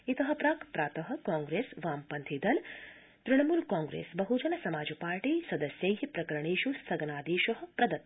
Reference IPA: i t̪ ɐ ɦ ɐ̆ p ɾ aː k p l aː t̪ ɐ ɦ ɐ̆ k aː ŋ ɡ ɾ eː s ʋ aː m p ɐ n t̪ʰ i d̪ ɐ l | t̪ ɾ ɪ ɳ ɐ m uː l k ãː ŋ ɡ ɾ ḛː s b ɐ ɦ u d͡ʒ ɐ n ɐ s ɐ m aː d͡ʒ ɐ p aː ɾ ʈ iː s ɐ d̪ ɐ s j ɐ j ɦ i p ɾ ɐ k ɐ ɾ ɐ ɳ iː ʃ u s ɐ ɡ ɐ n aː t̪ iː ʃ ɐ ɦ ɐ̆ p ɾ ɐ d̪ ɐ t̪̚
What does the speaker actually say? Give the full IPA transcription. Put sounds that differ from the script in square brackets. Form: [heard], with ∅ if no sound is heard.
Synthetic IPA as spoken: i t̪ ɐ ɦ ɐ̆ p ɾ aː k p [ɾ] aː t̪ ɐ ɦ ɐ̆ k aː ŋ ɡ ɾ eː s ʋ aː m p ɐ n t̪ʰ i d̪ ɐ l | t̪ ɾ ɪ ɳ ɐ m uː l k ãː ŋ ɡ ɾ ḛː s b ɐ ɦ u d͡ʒ ɐ n ɐ s ɐ m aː d͡ʒ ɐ p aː ɾ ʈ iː s ɐ d̪ ɐ s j ɐ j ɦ i p ɾ ɐ k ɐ ɾ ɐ ɳ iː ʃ u s ɐ ɡ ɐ n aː [d̪] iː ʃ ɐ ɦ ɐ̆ p ɾ ɐ d̪ ɐ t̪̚